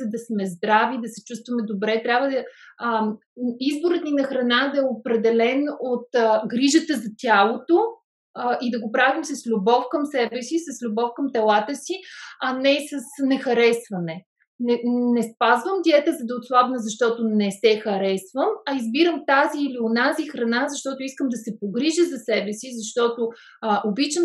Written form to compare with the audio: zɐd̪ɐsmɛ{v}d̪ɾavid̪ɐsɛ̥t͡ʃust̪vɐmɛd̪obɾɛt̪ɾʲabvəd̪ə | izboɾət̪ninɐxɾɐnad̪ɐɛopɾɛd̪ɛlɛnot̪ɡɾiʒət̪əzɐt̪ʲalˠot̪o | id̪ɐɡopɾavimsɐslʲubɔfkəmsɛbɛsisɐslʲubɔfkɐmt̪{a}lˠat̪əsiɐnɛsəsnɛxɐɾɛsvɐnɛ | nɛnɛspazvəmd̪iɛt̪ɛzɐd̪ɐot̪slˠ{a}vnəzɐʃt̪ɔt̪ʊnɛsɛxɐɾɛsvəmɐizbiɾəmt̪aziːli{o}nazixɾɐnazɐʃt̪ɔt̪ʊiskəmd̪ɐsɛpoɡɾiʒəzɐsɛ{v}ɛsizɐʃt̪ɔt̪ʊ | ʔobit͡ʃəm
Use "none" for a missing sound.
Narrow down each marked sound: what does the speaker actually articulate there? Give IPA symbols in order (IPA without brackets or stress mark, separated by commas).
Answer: z, ɛ, a, o, b